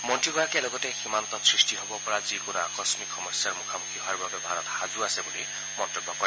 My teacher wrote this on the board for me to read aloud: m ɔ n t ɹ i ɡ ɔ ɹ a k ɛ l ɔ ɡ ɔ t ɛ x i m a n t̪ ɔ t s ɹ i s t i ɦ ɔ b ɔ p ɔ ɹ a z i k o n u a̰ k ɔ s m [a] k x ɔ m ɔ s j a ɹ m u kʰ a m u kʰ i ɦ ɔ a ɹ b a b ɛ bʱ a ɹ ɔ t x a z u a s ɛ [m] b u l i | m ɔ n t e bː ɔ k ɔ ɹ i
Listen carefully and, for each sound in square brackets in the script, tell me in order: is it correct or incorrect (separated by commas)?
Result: incorrect, incorrect